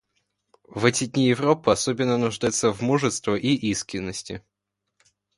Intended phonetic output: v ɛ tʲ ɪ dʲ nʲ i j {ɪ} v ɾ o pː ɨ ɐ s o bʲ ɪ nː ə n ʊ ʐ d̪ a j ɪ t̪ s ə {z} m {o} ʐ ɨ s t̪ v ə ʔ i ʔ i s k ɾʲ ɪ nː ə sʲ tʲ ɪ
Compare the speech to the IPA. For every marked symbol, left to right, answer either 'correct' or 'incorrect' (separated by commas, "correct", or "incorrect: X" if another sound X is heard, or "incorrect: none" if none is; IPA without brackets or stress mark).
correct, incorrect: v, incorrect: u